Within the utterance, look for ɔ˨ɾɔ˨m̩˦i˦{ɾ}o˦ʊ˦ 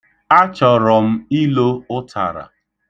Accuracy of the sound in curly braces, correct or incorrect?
incorrect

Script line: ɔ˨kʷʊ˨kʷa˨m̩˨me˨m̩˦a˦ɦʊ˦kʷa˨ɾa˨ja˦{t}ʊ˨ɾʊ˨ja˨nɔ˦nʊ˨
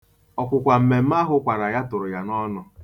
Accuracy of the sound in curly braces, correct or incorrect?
correct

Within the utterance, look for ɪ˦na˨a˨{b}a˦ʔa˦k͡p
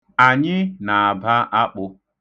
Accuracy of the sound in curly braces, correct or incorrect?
correct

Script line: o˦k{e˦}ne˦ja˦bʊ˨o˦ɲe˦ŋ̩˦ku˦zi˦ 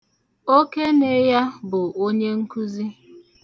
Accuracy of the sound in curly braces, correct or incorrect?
correct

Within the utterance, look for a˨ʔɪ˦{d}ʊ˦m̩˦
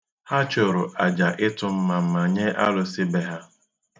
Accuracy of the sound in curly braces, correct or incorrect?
incorrect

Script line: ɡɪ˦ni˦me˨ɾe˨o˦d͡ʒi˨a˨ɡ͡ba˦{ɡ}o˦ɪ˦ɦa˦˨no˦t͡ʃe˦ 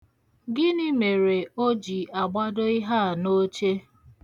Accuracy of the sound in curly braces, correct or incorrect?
incorrect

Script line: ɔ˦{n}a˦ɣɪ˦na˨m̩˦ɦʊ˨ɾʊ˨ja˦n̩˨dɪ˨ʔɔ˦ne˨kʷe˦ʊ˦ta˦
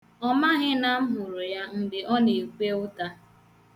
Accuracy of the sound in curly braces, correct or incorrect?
incorrect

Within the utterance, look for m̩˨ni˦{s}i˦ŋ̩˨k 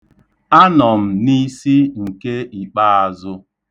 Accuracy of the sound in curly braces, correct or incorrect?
correct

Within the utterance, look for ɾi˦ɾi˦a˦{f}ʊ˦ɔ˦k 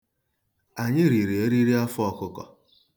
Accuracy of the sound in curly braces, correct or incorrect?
correct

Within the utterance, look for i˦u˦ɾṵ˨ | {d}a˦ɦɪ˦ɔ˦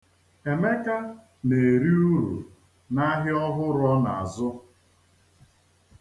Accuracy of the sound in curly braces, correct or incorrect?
incorrect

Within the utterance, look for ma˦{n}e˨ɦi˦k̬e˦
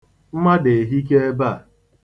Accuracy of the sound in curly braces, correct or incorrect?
incorrect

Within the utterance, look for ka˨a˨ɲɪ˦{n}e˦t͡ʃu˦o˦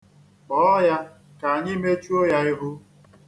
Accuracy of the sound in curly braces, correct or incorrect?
incorrect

